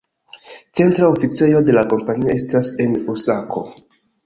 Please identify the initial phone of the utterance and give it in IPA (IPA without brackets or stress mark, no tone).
t͡s